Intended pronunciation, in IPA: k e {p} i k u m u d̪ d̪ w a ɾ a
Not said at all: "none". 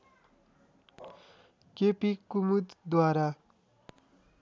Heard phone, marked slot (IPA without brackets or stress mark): p